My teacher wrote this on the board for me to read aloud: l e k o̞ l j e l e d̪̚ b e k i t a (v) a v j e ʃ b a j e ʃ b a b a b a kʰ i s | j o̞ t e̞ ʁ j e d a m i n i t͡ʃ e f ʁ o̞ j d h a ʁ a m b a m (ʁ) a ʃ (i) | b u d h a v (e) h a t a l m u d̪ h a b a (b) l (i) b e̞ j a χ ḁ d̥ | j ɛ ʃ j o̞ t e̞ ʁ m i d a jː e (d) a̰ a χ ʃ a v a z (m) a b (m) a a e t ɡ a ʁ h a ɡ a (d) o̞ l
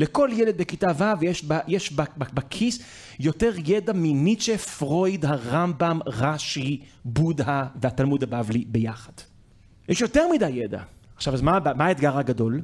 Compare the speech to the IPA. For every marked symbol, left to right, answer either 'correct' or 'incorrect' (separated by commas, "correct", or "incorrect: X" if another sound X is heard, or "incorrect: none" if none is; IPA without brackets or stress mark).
correct, correct, correct, correct, incorrect: v, correct, correct, correct, correct, correct